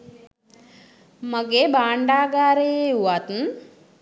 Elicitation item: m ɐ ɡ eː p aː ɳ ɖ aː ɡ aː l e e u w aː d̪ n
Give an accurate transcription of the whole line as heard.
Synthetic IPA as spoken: m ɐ ɡ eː b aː ɳ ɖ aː ɡ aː ɾ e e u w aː t̪ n